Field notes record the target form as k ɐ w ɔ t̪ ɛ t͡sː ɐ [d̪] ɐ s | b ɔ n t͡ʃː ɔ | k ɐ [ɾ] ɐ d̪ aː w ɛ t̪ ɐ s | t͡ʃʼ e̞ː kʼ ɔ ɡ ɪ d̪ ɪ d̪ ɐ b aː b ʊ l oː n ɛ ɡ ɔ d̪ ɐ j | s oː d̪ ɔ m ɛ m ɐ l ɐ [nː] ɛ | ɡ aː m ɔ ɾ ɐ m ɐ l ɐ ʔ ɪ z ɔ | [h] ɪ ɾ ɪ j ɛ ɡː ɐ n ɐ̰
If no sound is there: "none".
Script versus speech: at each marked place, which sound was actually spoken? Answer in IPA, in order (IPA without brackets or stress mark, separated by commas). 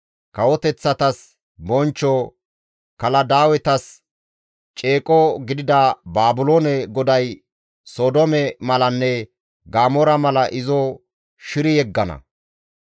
t̪, l, nː, ʃ